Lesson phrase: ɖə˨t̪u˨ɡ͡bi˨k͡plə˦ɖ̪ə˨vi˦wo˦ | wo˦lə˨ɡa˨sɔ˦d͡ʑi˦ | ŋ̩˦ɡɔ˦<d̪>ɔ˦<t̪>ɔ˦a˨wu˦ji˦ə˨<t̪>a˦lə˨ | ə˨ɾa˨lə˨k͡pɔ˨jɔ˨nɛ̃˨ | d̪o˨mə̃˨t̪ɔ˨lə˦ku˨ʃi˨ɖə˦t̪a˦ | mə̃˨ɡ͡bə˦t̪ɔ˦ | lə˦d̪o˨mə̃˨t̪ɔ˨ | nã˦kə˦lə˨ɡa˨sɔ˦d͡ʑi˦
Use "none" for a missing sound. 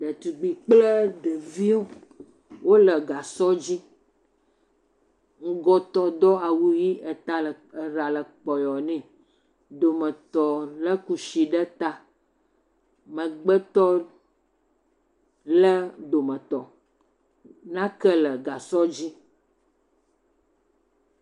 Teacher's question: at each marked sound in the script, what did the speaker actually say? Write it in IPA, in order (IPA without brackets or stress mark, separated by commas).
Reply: t̪, d̪, t̪